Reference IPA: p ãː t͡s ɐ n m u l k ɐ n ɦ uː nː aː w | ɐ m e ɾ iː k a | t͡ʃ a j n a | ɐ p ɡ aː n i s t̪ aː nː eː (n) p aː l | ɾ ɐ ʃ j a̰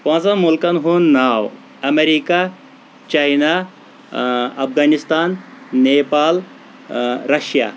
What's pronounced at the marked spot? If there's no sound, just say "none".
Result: none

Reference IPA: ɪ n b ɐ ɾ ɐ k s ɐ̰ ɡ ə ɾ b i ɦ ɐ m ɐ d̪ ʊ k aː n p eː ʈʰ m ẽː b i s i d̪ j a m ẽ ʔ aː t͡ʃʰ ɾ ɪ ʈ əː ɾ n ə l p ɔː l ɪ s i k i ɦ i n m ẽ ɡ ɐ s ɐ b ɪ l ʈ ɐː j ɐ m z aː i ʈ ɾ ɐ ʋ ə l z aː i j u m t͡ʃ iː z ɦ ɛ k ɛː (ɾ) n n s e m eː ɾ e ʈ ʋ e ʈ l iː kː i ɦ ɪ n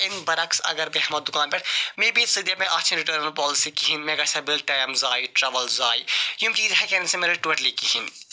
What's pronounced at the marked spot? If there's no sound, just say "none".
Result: none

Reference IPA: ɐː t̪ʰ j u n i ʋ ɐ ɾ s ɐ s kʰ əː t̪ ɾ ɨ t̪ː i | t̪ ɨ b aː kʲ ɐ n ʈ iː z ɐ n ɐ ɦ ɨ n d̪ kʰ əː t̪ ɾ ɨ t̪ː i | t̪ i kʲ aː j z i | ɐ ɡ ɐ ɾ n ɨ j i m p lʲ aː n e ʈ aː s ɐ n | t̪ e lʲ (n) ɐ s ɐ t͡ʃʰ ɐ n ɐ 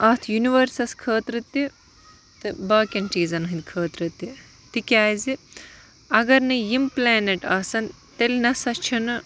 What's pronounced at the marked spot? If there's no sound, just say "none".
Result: n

